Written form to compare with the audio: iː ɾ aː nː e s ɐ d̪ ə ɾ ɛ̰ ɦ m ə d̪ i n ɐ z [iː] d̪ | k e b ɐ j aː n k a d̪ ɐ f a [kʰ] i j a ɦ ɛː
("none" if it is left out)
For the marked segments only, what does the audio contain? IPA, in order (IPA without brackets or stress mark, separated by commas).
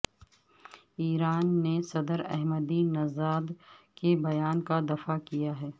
aː, k